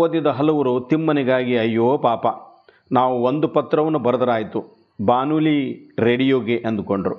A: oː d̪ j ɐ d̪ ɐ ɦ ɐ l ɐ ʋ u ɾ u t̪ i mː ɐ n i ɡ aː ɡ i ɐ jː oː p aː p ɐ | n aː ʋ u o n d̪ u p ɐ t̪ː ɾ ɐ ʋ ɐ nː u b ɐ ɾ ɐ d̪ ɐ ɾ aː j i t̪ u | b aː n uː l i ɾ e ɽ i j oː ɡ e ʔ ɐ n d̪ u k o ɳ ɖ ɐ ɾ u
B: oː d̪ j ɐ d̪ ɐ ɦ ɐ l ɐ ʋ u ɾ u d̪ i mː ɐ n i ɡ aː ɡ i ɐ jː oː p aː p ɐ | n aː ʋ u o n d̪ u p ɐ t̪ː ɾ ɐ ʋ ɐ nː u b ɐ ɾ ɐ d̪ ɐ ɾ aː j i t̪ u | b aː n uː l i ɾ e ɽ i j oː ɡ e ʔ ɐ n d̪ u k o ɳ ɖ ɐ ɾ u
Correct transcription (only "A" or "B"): A